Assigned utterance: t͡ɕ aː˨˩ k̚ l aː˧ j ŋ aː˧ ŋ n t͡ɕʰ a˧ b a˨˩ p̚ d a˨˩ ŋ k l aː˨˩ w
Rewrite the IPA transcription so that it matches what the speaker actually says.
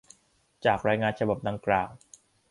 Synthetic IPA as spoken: t͡ɕ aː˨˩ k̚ ɾ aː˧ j ŋ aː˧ n t͡ɕʰ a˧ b a˨˩ p̚ d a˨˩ ŋ k l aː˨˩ w